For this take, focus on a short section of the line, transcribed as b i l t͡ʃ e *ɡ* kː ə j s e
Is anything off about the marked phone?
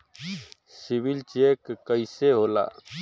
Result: yes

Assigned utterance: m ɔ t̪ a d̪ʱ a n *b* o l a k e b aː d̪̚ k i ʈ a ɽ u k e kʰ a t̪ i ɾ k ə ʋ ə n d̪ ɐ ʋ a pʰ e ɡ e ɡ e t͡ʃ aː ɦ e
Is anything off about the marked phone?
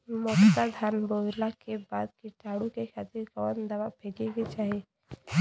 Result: no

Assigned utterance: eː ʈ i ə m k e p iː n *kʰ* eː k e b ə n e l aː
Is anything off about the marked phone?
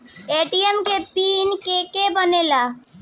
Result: yes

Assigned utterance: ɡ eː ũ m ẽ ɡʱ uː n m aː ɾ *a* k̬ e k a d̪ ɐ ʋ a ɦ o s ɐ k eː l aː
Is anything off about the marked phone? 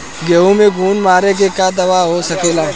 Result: yes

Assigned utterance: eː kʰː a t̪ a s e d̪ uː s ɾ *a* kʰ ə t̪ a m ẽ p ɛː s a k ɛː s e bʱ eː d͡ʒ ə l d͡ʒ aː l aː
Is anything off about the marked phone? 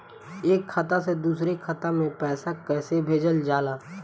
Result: yes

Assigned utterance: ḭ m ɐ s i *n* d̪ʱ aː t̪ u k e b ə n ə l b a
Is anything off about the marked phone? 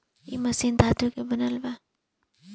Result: no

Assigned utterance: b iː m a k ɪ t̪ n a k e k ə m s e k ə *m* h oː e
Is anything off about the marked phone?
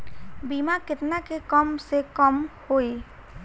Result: no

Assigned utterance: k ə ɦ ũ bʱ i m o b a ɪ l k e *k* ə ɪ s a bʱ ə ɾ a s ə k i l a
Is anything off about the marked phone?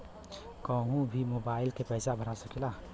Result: yes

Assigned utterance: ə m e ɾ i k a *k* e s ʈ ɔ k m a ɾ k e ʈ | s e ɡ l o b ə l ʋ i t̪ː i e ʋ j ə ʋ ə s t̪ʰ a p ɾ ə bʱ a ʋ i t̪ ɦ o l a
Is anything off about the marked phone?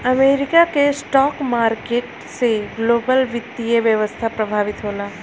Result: no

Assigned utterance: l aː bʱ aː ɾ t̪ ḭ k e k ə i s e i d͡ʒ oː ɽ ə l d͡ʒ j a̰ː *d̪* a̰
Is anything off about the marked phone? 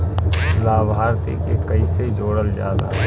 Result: no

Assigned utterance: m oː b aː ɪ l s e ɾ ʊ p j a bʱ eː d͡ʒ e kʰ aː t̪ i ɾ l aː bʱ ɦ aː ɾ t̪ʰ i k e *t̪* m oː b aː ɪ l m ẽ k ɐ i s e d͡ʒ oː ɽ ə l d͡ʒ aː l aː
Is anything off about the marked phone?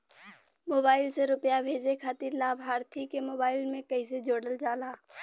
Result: yes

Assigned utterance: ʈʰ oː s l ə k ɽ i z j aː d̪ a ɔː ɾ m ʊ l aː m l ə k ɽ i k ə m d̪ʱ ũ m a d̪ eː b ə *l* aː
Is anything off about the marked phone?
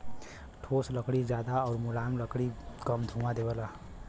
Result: no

